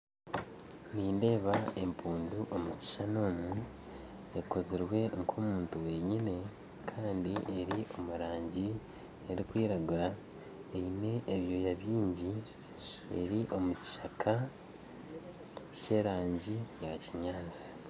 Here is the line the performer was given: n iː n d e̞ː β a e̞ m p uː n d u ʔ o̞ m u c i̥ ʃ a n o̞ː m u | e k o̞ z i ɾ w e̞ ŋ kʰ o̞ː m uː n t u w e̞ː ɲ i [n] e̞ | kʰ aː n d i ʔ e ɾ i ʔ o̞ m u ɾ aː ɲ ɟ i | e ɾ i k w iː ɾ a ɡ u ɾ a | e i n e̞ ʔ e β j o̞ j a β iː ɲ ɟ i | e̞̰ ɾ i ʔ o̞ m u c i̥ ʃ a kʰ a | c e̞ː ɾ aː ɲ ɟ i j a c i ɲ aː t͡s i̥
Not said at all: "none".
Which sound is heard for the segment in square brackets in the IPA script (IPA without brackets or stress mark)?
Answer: n